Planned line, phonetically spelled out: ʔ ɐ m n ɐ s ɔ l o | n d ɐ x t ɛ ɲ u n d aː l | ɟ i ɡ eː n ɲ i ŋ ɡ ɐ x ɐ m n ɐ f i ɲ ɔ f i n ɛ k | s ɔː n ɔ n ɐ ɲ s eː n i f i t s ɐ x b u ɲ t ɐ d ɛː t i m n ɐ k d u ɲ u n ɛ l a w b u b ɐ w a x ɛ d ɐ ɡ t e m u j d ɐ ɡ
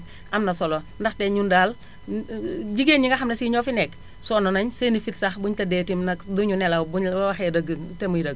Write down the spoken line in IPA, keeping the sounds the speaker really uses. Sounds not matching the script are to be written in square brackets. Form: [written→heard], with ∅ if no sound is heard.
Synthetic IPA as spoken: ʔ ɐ m n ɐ s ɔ l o | n d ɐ x t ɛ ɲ u n d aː l | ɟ i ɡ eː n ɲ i ŋ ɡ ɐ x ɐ m n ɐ [f→s] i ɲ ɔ f i n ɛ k | s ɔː n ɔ n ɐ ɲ s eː n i f i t s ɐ x b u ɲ t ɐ d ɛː t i m n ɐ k d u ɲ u n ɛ l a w b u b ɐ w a x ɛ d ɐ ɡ t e m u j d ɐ ɡ